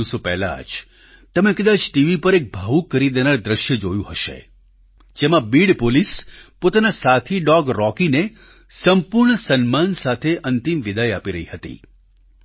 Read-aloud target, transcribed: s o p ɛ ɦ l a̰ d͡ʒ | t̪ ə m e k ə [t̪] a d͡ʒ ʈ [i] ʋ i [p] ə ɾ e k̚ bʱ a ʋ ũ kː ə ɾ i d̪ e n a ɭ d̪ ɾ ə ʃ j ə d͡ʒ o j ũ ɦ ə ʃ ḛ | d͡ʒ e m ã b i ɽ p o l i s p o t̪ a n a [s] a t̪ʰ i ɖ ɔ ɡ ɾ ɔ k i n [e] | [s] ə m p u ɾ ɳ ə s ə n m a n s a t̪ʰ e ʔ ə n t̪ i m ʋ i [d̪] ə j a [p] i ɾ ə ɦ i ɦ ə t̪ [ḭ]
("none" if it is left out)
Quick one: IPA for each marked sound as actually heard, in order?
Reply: d̪, i, p, s, e, s, d̪, p, ḭ

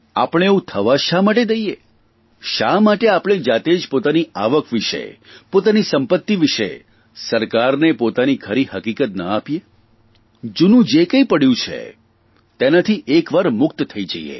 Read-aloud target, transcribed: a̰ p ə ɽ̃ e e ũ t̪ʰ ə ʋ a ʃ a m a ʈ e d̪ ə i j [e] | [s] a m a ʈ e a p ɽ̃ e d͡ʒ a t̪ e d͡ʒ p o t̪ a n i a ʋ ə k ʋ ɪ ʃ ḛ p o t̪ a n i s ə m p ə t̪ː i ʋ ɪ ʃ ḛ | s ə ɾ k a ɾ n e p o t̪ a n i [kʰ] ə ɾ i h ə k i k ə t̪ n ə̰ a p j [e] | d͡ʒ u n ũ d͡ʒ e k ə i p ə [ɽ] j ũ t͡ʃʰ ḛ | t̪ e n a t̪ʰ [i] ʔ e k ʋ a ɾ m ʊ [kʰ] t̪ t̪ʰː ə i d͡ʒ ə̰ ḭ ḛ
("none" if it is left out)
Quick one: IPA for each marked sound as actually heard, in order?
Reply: e, ʃ, kʰ, e, ɽ, i, k

